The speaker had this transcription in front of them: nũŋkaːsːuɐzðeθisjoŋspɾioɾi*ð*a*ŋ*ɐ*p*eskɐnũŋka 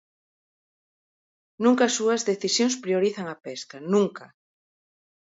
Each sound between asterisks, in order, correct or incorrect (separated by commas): incorrect, correct, correct